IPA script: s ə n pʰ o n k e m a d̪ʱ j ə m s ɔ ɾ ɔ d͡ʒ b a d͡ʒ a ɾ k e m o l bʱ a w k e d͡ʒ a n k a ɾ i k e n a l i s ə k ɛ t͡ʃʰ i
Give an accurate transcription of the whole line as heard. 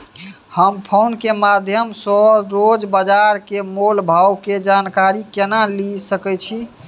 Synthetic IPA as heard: h ə m pʰ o n k e m a d̪ʱ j ə m s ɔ ɾ o d͡ʒ b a d͡ʒ a ɾ k e m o l bʱ a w k e d͡ʒ a n k a ɾ i k e n a l i s ə k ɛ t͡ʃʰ i

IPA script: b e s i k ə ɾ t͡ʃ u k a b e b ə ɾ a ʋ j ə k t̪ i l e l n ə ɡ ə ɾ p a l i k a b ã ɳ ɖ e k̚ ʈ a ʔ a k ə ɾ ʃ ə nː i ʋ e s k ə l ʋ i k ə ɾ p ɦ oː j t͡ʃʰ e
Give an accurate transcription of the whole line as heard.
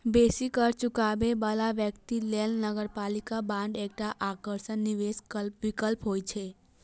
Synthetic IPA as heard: b e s i k ə ɾ t͡ʃ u k a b e b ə l a ʋ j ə k t̪ i l e l n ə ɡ ə ɾ p a l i k a b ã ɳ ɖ e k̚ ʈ a ʔ a k ə ɾ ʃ ə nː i ʋ e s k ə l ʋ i k ə l p ɦ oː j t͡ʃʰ e

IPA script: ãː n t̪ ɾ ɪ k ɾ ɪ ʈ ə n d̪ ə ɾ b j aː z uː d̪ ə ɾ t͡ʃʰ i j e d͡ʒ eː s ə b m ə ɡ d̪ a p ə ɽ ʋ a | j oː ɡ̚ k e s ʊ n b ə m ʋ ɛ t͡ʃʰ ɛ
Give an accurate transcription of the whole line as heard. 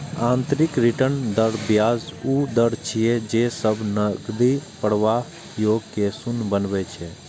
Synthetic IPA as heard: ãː n t̪ ɾ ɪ k ɾ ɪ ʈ ə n d̪ ə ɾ b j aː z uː d̪ ə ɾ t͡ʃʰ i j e d͡ʒ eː s ə b n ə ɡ d̪ i p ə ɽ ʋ a | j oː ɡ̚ k e s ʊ n b ə n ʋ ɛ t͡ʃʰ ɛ

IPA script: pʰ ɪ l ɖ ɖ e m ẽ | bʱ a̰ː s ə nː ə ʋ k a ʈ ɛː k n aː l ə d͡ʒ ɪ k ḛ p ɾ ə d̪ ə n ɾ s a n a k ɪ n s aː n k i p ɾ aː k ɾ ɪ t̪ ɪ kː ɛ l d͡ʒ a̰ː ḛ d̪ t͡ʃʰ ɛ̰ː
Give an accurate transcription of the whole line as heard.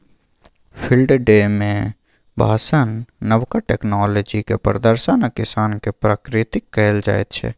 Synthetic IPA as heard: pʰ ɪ l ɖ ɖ e m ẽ | bʱ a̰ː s ə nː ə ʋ k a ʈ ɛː k n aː l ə d͡ʒ i k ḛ p ɾ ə d̪ ə ɾ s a n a k ɪ s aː n k e p ɾ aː k ɾ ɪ t̪ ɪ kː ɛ l d͡ʒ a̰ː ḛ t̪ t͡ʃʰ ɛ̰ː

